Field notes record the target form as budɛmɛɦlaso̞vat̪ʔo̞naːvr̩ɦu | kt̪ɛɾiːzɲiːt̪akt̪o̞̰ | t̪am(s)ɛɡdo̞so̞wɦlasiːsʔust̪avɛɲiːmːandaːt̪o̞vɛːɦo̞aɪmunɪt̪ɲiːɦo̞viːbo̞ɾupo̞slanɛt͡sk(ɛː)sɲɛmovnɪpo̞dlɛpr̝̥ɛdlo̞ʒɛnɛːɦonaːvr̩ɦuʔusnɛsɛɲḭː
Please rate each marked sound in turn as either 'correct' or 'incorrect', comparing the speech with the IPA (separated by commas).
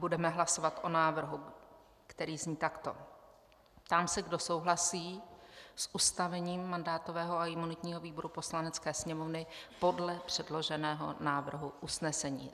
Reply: correct, correct